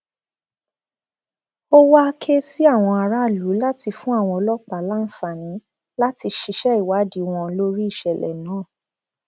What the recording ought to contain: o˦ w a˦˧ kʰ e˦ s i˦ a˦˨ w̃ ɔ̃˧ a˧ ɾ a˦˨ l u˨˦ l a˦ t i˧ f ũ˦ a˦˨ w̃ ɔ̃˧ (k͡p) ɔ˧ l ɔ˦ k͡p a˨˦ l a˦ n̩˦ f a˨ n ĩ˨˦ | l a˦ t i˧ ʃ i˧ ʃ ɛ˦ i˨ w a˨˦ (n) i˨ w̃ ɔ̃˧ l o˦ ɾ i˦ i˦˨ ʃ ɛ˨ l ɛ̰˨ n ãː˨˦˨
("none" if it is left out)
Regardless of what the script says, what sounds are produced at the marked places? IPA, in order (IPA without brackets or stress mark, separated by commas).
none, d